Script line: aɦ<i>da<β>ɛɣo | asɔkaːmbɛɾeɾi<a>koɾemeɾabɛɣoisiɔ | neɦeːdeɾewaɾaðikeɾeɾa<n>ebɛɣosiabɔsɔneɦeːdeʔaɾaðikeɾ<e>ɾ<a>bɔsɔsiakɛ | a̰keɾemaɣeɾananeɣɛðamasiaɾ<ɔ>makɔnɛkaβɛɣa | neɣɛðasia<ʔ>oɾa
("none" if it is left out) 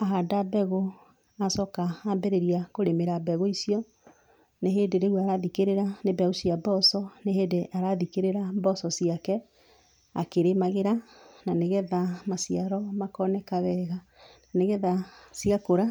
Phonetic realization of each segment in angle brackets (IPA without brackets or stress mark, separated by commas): a, b, a, n, e, a, ɔ, k